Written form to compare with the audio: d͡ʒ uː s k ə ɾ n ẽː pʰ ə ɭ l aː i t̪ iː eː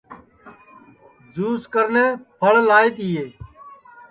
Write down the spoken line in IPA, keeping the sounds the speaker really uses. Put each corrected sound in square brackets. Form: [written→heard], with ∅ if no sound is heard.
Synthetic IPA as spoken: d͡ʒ uː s k ə ɾ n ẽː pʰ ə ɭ l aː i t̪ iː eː